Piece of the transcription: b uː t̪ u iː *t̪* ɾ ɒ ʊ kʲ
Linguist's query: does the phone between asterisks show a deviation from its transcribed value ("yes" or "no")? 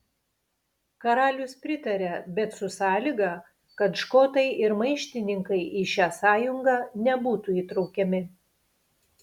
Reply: no